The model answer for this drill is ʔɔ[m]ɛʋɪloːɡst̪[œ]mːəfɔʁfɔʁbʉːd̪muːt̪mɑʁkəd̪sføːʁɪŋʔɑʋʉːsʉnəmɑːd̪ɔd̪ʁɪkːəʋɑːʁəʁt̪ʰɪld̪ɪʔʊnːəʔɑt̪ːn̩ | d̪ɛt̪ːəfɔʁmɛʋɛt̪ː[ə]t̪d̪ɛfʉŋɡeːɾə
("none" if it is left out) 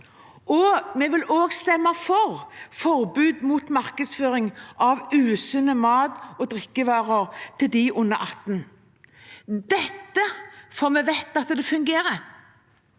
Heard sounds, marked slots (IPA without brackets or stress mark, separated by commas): m, ɛ, ɑ